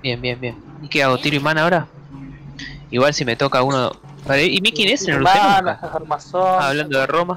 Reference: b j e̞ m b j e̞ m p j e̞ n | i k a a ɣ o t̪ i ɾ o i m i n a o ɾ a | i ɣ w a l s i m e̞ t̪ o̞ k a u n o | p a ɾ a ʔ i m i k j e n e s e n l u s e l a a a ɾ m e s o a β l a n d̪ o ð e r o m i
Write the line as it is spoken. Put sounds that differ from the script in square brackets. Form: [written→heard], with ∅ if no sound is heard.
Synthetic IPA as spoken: b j e̞ m b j e̞ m [p→b] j e̞ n | i k [a→e] a ɣ o t̪ i ɾ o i m [i→a] n a o ɾ a | i ɣ w a l s i m e̞ t̪ o̞ k a u n o | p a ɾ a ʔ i m i k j e n e s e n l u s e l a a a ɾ m [e→a] s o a β l a n d̪ o ð e r o m [i→a]

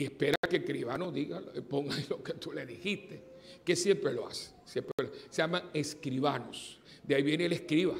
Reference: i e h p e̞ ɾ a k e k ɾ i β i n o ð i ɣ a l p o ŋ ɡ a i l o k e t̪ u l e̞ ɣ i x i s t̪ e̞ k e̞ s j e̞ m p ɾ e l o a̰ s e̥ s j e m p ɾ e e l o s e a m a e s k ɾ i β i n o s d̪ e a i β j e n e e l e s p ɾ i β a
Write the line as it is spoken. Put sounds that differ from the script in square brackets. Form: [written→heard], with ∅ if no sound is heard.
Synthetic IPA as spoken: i e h p e̞ ɾ a k e k ɾ i β [i→a] n o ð i ɣ a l p o ŋ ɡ a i l o k e t̪ u l e̞ [ɣ→ð] i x i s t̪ e̞ k e̞ s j e̞ m p ɾ e l o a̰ s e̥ s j e m p ɾ e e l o s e a m a e s k ɾ i β [i→a] n o s d̪ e a i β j e n e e l e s [p→k] ɾ i β a

